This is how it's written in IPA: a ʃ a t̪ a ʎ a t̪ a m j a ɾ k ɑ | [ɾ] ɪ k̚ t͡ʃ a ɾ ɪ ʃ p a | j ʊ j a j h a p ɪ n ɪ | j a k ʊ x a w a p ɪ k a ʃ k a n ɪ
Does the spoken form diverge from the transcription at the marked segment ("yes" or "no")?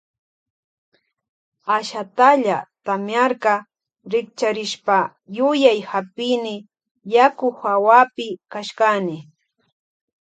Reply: no